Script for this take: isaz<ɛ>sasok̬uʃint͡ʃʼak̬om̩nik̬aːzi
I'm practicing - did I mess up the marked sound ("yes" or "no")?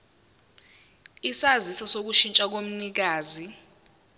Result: yes